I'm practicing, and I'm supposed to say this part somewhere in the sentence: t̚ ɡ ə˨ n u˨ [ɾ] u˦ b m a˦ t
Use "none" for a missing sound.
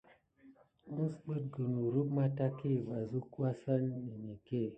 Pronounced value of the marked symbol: ɾ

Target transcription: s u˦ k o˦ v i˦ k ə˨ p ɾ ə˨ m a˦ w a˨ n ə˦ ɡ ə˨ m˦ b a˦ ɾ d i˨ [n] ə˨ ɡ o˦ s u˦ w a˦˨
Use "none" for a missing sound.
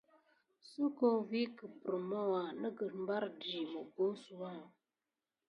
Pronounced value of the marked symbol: m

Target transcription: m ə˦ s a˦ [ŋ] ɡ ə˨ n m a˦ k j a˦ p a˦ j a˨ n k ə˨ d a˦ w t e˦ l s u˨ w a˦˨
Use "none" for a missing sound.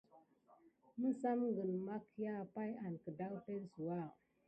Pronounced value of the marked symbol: m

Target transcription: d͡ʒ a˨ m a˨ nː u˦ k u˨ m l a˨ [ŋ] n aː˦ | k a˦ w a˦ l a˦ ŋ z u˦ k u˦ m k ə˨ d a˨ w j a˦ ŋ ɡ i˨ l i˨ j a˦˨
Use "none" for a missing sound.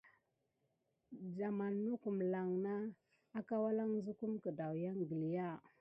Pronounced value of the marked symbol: ŋ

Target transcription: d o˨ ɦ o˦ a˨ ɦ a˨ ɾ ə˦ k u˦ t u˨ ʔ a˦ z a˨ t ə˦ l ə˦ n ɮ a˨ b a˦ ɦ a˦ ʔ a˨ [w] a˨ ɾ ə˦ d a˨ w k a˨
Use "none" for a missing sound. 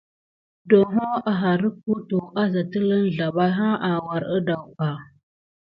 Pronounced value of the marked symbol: w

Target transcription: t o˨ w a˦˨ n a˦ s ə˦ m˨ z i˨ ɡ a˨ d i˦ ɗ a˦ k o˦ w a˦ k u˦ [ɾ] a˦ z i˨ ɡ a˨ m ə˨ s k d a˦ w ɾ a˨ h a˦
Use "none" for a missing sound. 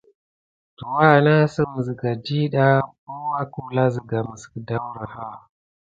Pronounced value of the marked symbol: l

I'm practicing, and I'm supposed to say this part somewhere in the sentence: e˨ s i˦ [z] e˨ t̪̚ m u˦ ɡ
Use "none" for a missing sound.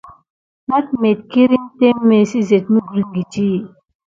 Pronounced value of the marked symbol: z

